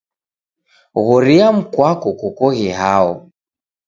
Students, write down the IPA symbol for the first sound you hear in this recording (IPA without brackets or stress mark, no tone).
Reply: ɣ